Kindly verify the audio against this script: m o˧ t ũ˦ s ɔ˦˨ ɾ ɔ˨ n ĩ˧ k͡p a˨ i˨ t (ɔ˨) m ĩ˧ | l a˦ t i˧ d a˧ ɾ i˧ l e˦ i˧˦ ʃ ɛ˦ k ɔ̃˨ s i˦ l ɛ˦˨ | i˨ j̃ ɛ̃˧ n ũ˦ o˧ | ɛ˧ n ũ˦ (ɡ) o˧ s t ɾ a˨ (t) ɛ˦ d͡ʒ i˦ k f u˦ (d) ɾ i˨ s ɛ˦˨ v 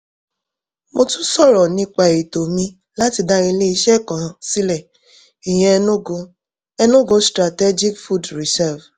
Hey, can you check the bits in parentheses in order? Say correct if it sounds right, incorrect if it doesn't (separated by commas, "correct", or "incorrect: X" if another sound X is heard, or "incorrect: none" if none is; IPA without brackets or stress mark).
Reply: incorrect: o˨, correct, correct, correct